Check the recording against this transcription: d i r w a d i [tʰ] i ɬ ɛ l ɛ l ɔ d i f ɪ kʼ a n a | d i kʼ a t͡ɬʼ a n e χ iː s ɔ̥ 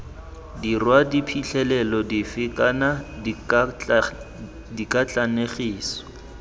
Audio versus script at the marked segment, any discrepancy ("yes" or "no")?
yes